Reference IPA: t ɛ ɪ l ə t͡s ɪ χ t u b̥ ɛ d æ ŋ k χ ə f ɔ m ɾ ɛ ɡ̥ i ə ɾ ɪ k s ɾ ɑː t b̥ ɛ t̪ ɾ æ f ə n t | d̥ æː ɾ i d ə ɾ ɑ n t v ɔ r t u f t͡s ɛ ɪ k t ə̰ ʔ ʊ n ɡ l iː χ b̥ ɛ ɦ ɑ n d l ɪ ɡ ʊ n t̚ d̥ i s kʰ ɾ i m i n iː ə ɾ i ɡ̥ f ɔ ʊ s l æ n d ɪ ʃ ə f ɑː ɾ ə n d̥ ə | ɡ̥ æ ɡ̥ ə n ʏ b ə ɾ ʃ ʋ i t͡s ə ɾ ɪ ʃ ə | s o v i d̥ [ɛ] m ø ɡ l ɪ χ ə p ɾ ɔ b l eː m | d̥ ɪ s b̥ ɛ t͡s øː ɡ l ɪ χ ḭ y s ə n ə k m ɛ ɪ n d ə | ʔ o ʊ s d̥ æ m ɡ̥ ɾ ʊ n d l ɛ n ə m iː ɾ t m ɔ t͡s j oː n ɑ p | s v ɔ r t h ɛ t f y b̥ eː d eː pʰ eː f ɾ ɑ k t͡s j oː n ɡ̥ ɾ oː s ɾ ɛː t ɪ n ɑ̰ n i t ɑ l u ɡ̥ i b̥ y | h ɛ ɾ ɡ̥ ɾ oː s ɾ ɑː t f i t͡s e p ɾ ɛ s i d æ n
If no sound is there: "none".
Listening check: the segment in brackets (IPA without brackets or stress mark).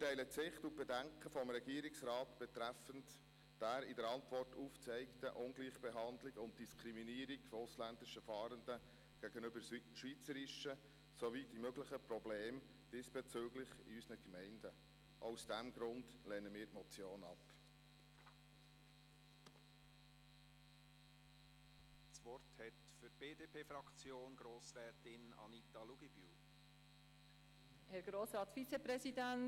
i